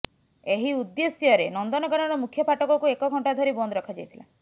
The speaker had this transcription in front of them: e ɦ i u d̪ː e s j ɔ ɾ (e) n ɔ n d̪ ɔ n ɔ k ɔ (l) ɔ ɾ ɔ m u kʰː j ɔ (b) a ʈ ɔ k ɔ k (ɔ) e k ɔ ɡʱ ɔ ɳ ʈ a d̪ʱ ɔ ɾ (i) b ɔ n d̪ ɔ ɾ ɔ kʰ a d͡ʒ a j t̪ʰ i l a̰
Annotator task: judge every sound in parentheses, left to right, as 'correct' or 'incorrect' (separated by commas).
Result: correct, incorrect, incorrect, incorrect, correct